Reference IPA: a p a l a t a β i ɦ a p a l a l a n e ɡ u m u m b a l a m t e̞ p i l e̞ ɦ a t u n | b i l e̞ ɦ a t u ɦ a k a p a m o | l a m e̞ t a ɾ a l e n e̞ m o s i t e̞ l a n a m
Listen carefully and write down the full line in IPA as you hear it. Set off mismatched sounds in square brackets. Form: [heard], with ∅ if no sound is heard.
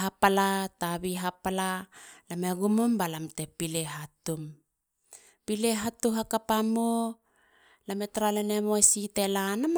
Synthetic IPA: a p a l a t a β i ɦ a p a l a l a [m] e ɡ u m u m b a l a m t e̞ p i l e̞ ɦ a t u [m] | [p] i l e̞ ɦ a t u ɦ a k a p a m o | l a m e̞ t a ɾ a l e n e̞ m o s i t e̞ l a n a m